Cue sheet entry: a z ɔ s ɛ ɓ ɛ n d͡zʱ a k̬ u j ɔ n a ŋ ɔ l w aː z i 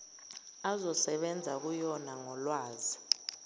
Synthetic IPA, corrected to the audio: a z ɔ s ɛ ɓ ɛ n d͡zʱ a k̬ u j ɔ n a ŋ ɔ l w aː z i